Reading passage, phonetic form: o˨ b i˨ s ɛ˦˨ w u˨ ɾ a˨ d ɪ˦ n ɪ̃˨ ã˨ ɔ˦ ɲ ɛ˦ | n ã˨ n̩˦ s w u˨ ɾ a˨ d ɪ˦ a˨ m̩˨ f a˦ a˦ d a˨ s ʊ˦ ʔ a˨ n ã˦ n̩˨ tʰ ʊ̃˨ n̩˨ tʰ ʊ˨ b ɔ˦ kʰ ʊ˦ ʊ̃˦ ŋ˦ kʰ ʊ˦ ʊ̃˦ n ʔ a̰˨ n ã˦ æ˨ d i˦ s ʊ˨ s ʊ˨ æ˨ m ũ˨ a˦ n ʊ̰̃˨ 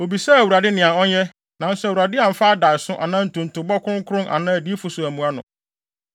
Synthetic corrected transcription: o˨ b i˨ s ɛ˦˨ w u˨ ɾ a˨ d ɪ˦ n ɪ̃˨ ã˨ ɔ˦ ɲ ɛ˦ | n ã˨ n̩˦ s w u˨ ɾ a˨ d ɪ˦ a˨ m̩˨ f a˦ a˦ d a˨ s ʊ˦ ʔ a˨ n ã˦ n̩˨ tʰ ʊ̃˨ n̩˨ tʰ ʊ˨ b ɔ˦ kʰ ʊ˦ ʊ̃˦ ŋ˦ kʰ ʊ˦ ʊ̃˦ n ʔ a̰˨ n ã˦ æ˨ d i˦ f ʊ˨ s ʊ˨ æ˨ m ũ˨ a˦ n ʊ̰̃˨